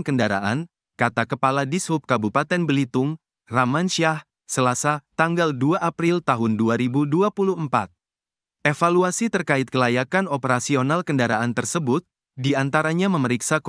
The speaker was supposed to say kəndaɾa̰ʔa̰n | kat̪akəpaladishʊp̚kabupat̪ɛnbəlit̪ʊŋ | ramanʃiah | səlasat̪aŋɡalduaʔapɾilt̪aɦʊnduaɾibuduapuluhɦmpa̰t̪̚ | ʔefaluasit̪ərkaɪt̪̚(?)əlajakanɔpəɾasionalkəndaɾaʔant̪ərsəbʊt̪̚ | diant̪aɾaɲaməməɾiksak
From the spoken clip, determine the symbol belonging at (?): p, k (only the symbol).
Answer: k